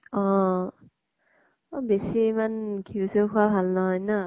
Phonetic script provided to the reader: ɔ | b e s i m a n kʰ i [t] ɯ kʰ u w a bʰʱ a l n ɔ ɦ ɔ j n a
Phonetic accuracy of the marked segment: incorrect: s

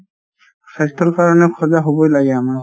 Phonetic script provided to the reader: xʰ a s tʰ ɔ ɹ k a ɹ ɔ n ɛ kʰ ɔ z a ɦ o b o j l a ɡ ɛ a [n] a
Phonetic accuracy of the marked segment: incorrect: m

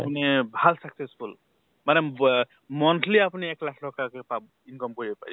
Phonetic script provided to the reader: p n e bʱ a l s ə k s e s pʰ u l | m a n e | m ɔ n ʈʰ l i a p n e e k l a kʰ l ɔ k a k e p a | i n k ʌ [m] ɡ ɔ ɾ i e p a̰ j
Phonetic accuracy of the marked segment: correct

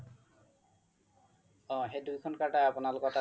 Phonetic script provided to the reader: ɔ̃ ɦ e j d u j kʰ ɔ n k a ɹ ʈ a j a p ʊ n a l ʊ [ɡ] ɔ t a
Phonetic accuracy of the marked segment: incorrect: k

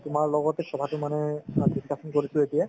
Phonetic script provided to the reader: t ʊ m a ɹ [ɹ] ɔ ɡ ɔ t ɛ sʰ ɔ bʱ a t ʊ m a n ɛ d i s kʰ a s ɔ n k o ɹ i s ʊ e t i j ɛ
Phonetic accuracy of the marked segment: incorrect: l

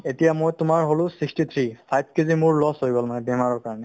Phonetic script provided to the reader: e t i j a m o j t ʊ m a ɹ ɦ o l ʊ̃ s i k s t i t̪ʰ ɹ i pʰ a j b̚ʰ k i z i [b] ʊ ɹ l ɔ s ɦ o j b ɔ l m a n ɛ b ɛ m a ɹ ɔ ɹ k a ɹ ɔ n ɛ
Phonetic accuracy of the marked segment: incorrect: m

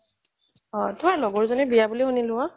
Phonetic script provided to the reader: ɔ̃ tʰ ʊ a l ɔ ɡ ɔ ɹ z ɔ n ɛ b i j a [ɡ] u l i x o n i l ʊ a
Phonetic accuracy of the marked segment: incorrect: b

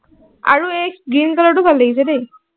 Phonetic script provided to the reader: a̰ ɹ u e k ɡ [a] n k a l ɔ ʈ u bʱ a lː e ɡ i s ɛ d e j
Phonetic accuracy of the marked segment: incorrect: i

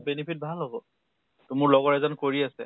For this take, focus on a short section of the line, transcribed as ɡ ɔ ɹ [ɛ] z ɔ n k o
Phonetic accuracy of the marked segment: correct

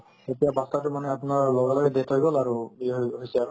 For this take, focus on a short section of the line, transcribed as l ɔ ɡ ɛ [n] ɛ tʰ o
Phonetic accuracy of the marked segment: incorrect: d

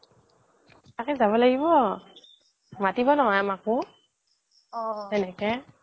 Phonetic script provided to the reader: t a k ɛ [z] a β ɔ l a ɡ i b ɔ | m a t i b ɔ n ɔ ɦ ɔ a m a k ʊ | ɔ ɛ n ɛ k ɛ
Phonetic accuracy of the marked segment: correct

